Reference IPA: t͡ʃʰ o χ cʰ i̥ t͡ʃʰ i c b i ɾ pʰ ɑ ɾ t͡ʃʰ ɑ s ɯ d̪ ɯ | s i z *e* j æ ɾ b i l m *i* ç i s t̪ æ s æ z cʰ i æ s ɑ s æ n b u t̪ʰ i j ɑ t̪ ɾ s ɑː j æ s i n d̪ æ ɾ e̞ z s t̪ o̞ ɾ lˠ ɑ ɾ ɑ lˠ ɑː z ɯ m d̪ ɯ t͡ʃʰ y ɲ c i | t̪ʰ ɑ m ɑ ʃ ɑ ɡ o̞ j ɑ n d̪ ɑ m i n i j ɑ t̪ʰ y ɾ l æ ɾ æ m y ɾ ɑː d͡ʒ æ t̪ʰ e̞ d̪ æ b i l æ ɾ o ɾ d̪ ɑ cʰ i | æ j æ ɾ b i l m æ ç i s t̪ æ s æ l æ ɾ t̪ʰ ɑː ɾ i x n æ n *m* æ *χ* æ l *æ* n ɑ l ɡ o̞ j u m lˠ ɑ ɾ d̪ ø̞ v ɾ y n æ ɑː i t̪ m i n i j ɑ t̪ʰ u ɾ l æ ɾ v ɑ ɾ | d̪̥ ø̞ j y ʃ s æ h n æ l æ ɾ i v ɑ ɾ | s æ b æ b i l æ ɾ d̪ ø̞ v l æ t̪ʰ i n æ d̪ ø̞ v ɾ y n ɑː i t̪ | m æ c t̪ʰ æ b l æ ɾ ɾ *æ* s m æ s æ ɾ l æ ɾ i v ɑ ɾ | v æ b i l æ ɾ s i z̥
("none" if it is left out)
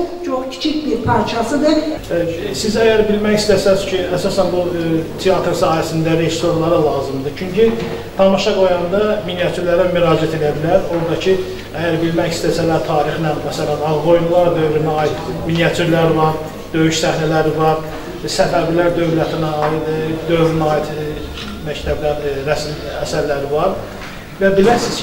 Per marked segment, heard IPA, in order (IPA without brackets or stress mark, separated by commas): æ, æ, m, s, æ, æ